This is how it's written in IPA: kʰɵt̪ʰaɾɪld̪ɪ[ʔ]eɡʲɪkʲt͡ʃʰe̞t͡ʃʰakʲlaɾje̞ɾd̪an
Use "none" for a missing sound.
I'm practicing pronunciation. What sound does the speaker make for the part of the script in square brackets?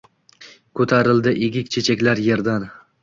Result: ʔ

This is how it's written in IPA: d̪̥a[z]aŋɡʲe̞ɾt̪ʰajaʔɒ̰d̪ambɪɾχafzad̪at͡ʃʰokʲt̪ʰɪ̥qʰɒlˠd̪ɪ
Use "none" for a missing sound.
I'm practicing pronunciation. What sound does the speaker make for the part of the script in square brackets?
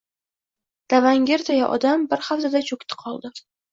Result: v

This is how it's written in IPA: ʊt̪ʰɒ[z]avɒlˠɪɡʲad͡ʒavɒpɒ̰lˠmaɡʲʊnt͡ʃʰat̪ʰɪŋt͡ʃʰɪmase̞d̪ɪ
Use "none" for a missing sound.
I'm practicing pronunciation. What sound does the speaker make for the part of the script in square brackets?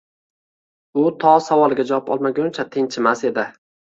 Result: s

